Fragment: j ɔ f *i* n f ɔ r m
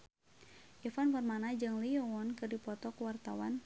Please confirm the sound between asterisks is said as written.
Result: no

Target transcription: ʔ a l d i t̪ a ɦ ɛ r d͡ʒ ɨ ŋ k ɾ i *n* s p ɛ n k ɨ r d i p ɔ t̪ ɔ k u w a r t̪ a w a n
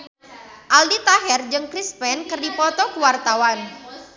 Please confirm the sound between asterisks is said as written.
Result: no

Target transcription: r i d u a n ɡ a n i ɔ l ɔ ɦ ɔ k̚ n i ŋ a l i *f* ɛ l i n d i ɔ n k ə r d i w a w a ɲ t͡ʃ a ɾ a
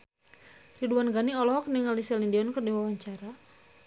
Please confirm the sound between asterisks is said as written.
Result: no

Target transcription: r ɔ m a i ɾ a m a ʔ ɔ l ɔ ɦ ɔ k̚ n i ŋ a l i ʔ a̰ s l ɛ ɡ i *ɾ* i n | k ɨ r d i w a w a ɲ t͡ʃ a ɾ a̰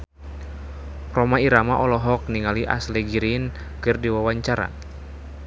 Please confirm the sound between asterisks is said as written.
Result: yes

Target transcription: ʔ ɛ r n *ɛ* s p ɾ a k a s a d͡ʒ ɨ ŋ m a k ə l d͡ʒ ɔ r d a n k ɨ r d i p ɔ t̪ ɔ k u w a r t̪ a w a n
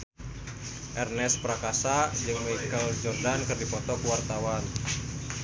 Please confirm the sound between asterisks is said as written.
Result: yes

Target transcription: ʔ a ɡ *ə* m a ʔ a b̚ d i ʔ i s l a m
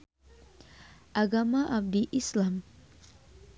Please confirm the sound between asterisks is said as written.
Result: no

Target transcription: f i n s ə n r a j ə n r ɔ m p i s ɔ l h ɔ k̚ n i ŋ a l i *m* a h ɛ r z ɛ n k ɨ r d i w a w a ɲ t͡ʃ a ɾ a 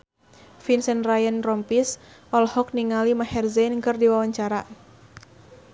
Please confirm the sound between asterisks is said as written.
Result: yes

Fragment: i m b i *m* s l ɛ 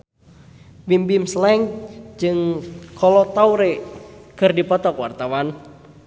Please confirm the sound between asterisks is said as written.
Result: yes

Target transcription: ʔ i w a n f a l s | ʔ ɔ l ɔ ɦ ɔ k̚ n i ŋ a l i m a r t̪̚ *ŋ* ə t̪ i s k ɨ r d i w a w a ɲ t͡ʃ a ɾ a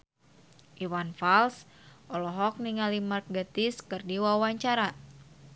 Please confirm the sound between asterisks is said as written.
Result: no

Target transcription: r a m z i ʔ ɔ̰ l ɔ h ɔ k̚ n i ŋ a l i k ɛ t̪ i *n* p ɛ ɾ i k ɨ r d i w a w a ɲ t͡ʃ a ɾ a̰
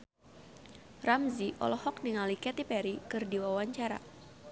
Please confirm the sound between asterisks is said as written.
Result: no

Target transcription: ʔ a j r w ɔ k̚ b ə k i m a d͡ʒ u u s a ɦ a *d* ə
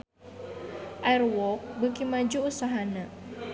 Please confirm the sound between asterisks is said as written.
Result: no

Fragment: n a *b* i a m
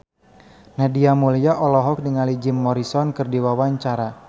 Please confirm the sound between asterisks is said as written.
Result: no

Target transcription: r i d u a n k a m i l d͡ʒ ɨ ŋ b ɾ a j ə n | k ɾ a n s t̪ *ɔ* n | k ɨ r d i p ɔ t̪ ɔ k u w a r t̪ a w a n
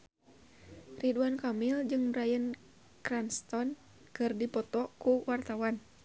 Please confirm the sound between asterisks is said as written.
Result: yes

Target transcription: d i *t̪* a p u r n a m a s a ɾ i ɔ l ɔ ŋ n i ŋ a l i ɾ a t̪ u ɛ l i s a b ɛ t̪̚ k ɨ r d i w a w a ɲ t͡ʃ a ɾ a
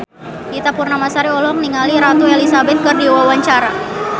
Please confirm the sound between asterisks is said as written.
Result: yes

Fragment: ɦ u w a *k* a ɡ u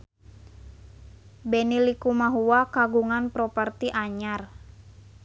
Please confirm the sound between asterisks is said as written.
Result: yes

